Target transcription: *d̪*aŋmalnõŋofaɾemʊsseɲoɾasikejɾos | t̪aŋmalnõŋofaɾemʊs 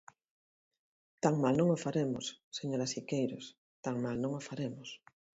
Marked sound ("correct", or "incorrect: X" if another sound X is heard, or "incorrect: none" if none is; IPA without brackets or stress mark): incorrect: t̪